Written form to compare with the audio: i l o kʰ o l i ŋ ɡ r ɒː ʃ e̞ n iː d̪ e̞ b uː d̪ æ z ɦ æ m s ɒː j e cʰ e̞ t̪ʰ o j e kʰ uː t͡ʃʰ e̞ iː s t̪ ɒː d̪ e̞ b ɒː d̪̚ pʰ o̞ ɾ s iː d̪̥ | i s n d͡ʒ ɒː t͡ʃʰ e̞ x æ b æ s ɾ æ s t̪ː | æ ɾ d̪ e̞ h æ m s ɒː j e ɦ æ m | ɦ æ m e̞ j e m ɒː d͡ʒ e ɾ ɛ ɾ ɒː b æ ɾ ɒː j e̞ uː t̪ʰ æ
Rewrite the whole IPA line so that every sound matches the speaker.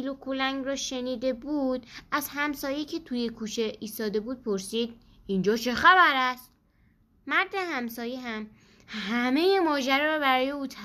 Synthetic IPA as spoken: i l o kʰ o l æ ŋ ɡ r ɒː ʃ e̞ n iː d̪ e̞ b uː d̪ æ z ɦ æ m s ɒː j e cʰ e̞ t̪ʰ u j e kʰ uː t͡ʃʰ e̞ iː s t̪ ɒː d̪ e̞ b uː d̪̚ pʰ o̞ ɾ s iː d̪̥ | i n d͡ʒ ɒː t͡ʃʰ e̞ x æ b æ ɾ æ s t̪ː | æ ɾ d̪ e̞ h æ m s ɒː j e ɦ æ m | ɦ æ m e̞ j e m ɒː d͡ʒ æ ɾ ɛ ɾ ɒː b æ ɾ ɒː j e̞ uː t̪ʰ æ